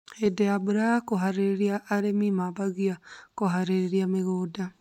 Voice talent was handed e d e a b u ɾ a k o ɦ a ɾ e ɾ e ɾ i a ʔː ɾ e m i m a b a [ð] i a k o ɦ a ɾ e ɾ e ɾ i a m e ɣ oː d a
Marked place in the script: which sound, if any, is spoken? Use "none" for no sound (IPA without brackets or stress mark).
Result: ɣ